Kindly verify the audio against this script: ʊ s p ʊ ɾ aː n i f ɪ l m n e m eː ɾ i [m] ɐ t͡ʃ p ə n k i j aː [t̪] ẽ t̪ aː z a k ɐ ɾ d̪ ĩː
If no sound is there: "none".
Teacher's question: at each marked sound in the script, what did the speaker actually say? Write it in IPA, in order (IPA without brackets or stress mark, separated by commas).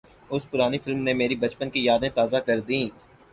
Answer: b, d̪